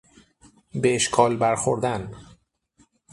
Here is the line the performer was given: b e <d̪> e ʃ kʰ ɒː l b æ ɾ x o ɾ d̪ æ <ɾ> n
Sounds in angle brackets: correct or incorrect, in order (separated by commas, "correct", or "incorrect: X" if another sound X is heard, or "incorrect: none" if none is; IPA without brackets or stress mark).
incorrect: none, incorrect: none